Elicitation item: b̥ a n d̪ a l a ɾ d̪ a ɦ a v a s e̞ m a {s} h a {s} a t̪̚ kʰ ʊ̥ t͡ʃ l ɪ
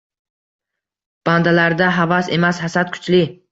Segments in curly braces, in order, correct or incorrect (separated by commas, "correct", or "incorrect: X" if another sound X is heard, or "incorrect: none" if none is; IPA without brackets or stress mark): correct, correct